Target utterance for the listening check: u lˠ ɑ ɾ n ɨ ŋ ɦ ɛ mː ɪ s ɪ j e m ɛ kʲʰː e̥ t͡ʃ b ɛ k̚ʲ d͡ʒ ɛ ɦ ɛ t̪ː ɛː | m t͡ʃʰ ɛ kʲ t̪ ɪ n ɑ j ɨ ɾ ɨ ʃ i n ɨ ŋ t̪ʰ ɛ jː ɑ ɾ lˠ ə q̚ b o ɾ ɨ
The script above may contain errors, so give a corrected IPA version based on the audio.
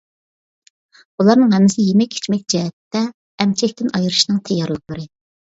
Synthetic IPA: u lˠ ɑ ɾ n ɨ ŋ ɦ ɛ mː ɪ s ɪ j e m ɛ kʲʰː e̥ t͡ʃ m ɛ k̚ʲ d͡ʒ ɛ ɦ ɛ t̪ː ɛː | m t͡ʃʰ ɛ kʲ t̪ ɪ n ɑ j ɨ ɾ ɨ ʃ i n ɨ ŋ t̪ʰ ɛ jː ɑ ɾ lˠ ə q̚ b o ɾ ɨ